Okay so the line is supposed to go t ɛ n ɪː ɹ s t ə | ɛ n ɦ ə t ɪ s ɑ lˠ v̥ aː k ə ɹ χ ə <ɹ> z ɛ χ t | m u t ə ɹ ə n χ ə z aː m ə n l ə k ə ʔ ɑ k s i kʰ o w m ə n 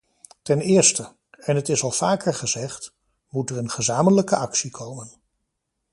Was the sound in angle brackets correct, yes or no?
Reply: no